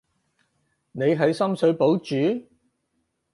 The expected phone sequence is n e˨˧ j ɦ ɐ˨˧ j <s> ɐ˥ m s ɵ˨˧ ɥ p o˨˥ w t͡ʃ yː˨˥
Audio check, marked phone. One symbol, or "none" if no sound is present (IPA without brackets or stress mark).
s